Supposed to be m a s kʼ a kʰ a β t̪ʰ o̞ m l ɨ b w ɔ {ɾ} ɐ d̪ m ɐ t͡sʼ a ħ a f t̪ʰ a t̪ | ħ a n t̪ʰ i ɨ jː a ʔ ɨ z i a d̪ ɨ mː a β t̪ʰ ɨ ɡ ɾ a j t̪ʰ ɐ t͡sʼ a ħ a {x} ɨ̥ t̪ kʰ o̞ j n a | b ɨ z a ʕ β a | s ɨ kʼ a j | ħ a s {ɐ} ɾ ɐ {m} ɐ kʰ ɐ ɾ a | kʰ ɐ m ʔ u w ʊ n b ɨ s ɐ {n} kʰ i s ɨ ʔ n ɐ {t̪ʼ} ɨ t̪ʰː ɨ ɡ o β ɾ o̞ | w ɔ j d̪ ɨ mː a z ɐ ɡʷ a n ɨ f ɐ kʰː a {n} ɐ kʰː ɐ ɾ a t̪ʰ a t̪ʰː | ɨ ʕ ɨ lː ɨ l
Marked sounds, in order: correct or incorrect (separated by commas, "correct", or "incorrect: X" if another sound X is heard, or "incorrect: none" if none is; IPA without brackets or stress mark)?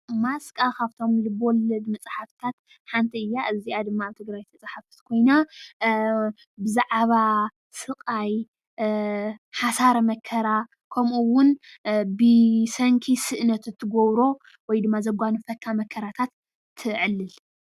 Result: incorrect: l, incorrect: f, incorrect: a, correct, incorrect: ŋ, incorrect: t̪, incorrect: m